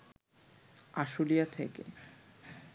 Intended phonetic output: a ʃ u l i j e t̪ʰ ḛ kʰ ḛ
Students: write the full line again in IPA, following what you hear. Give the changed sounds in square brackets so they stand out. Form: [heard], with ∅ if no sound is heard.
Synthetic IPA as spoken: a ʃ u l i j [a] t̪ʰ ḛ [k] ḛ